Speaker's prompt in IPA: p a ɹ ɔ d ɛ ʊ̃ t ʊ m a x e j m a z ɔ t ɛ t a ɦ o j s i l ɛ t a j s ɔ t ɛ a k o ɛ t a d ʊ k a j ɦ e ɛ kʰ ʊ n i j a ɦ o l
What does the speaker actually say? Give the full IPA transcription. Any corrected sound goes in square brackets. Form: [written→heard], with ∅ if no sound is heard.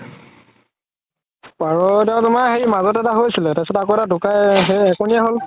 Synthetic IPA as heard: p a ɹ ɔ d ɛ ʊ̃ t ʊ m a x e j m a z ɔ t ɛ t a ɦ o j s i l ɛ t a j s ɔ t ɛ a k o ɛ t a d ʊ k a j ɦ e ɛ [kʰ→k] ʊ n i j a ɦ o l

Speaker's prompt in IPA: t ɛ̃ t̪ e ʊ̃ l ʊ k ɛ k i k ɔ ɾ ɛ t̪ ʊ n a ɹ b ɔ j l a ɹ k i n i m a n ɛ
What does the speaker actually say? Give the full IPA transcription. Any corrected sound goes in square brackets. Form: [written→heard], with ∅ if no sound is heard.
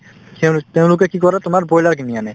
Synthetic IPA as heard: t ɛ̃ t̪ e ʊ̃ l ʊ k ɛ k i k ɔ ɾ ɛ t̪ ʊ [n→m] a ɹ b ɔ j l a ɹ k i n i [m→∅] a n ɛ

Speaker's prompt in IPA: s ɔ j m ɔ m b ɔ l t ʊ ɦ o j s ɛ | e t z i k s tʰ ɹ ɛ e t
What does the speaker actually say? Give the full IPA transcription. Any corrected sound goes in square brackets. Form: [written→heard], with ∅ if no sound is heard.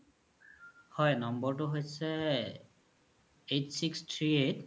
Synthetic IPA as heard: [s→h] ɔ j [m→n] ɔ m b ɔ [l→ɹ] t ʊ ɦ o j s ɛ | e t [z→s] i k s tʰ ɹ [ɛ→i] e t

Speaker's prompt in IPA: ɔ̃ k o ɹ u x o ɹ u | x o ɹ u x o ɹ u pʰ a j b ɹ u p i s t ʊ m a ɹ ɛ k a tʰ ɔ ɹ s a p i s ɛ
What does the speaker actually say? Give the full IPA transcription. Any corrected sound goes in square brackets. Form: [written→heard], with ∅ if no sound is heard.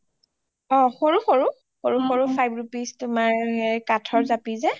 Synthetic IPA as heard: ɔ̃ [k→x] o ɹ u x o ɹ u | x o ɹ u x o ɹ u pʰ a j b ɹ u p i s t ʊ m a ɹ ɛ k a tʰ ɔ ɹ [s→z] a p i [s→z] ɛ

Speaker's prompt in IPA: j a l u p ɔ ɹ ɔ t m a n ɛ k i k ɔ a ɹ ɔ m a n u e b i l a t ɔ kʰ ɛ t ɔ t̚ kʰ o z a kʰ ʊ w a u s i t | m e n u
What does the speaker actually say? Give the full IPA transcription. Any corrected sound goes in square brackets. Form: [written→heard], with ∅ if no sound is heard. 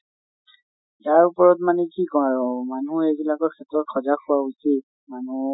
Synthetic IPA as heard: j a [l→ɹ] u p ɔ ɹ ɔ t m a n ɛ k i k ɔ a ɹ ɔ m a n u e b i l a [t→k] ɔ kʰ ɛ t ɔ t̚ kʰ [o→ɔ] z a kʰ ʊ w a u s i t | m [e→a] n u

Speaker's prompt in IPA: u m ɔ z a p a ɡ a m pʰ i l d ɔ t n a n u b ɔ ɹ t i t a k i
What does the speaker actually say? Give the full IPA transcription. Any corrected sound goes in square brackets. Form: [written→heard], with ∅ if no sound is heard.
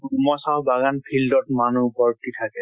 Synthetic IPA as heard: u m ɔ [z→s] a [p→b] a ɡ a [m→n] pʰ i l d ɔ t [n→m] a n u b ɔ ɹ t i [t→tʰ] a k [i→ɛ]

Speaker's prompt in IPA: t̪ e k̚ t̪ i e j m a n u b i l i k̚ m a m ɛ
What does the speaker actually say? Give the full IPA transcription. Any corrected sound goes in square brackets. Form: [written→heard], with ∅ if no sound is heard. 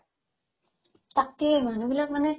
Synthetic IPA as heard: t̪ [e→a] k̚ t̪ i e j m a n u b i l [i→a] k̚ m a [m→n] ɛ

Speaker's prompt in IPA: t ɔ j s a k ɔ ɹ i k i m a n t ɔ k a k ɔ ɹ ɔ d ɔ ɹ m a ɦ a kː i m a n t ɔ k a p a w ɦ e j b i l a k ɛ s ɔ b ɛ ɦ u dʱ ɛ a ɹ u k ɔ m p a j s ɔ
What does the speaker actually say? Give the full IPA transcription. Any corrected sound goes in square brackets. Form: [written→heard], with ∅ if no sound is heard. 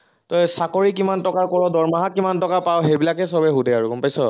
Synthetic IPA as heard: t ɔ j s a k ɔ ɹ i k i m a n t ɔ k a k ɔ ɹ ɔ d ɔ ɹ m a ɦ a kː i m a n t ɔ k a p a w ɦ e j b i l a k ɛ s ɔ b ɛ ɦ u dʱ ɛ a ɹ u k ɔ m p a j s ɔ

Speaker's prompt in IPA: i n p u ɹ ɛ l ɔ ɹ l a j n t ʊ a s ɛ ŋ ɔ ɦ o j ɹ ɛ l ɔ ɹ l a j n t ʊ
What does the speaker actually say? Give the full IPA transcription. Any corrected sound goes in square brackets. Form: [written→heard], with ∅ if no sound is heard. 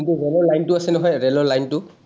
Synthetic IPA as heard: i n [p→t] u ɹ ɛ l ɔ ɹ l a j n t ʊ a s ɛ [ŋ→n] ɔ ɦ [o→ɔ] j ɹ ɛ l ɔ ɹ l a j n t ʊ

